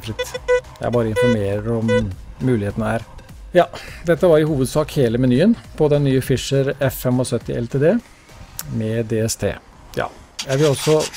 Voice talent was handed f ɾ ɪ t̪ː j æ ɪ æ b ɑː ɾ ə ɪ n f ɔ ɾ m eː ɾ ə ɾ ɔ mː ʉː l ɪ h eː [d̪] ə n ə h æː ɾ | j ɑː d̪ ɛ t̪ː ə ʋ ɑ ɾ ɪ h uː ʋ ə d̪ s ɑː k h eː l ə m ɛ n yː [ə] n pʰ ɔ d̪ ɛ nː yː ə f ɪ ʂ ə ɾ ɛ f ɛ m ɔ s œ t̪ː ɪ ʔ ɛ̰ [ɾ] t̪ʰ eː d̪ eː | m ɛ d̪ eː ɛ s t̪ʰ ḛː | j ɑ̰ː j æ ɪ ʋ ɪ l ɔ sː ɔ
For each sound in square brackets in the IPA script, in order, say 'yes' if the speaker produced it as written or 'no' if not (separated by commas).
no, yes, no